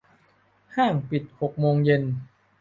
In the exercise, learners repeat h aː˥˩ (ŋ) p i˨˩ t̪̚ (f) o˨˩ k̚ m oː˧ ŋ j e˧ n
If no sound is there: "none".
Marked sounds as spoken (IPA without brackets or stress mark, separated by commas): ŋ, h